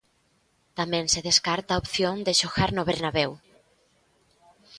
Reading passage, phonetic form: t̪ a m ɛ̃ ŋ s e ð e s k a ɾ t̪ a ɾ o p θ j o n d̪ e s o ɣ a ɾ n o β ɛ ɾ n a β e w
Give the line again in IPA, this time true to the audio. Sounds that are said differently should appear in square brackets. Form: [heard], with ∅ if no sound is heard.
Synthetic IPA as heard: t̪ a m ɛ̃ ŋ s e ð e s k a ɾ t̪ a [∅] o p θ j o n d̪ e [ʃ] o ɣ a ɾ n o β [e] ɾ n a β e w